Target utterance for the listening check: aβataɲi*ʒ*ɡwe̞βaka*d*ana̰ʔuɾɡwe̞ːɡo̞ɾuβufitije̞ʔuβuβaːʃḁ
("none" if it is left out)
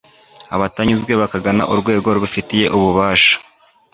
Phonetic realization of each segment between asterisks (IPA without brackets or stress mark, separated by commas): z, ɡ